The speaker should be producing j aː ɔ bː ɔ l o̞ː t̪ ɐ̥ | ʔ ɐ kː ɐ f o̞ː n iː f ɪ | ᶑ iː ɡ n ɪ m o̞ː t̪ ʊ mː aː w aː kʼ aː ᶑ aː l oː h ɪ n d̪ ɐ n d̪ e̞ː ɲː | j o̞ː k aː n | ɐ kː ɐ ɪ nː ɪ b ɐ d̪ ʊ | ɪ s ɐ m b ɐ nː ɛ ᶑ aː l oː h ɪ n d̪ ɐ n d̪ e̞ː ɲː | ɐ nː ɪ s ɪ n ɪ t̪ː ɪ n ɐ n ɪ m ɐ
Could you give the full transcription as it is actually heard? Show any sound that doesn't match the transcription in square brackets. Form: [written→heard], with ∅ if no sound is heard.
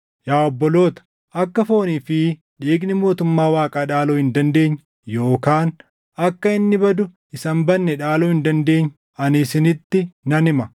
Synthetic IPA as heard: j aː ɔ bː ɔ l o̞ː t̪ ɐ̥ | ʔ ɐ kː ɐ f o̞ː n iː f ɪ | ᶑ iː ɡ n ɪ m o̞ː t̪ ʊ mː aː w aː kʼ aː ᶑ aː l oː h ɪ n d̪ ɐ n d̪ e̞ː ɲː | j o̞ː k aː n | ɐ kː ɐ ɪ nː ɪ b ɐ d̪ ʊ | ɪ s ɐ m b ɐ nː ɛ ᶑ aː l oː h ɪ n d̪ ɐ n d̪ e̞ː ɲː | ɐ [nː→n] ɪ s ɪ n ɪ t̪ː ɪ n ɐ n ɪ m ɐ